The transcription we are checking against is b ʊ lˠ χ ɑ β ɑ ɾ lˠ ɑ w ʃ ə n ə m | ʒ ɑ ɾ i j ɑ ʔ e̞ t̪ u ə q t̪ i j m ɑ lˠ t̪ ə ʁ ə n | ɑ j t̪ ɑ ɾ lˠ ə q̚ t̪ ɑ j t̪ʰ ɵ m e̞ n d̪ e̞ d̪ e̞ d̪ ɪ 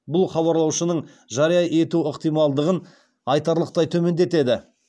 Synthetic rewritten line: b ʊ lˠ χ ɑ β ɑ ɾ lˠ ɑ w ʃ ə n ə ɴ | ʒ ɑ ɾ i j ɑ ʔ e̞ t̪ u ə q t̪ i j m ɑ lˠ d̪ ə ʁ ə n | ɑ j t̪ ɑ ɾ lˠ ə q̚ t̪ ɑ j t̪ʰ ɵ m e̞ n d̪ e̞ t̪ e̞ d̪ ɪ